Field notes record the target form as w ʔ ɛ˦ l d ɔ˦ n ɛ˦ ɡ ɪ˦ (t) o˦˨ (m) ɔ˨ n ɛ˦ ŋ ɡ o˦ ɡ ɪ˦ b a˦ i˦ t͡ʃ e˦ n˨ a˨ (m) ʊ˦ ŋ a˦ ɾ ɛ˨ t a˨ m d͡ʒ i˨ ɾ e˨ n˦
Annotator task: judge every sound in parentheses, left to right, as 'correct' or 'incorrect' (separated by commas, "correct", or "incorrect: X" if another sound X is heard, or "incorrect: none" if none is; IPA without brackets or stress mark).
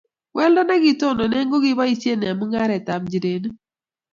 correct, incorrect: n, correct